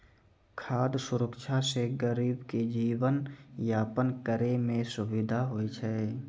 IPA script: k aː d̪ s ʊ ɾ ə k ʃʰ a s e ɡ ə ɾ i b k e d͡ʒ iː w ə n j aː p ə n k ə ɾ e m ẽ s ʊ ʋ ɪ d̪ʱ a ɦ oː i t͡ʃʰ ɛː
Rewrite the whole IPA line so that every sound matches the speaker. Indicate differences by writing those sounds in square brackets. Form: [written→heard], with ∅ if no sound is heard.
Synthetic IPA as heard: [k→kʰ] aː d̪ s ʊ ɾ ə k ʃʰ a s e ɡ ə ɾ [i→iː] b k e d͡ʒ iː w ə n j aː p ə n k ə ɾ e m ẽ s ʊ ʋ ɪ d̪ʱ a ɦ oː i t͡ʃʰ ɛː